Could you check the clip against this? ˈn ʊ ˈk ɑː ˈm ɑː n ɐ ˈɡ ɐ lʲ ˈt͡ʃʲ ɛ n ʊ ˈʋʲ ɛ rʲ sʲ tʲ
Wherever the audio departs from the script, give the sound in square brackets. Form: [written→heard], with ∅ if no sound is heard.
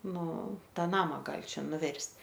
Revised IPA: ˈn ʊ [ˈk→ˈt] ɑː [ˈm→ˈn] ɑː [n→m] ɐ ˈɡ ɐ lʲ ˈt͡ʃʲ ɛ n ʊ ˈʋʲ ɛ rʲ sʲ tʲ